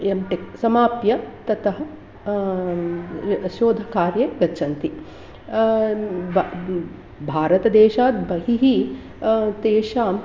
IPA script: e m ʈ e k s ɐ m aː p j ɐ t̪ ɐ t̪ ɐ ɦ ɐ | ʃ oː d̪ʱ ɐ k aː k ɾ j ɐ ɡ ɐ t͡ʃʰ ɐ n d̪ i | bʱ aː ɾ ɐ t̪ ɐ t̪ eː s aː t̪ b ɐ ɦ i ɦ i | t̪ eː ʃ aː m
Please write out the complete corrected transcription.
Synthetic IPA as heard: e m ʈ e k s ɐ m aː p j ɐ t̪ ɐ t̪ ɐ ɦ ɐ | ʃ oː d̪ʱ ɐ k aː ɾ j ɐ ɡ ɐ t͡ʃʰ ɐ n t̪ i | bʱ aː ɾ ɐ t̪ ɐ d̪ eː ʃ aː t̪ b ɐ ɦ i ɦ i | t̪ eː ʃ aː m